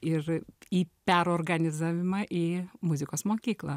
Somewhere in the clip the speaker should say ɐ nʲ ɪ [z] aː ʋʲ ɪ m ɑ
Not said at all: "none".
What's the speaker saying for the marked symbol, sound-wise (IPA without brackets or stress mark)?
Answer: z